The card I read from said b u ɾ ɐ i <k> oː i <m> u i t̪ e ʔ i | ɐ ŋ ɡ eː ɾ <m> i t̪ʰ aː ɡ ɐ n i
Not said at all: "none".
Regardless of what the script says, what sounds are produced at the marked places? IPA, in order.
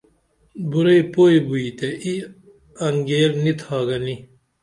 p, b, n

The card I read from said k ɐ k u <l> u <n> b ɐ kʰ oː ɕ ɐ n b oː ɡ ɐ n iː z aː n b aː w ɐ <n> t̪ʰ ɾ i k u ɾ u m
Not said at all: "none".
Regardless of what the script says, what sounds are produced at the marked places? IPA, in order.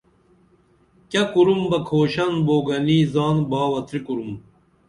ɾ, m, none

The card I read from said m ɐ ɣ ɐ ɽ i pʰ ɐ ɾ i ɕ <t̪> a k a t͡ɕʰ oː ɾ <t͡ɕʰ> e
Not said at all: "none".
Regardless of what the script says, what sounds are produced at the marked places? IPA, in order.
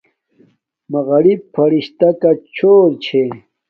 t̪, t͡ɕʰ

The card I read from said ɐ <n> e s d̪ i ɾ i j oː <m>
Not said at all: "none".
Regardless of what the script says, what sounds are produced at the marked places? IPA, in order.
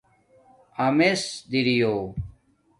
m, none

